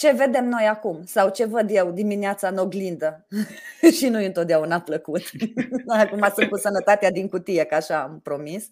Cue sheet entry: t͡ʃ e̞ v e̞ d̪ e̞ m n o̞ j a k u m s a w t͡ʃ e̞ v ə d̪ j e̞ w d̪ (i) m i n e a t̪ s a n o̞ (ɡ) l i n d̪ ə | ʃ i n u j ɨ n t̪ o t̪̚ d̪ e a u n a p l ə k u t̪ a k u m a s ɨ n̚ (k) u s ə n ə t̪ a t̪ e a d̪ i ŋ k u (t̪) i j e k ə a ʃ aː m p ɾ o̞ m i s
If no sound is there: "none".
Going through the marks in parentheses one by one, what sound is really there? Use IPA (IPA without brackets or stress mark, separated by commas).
i, ɡ, k, t̪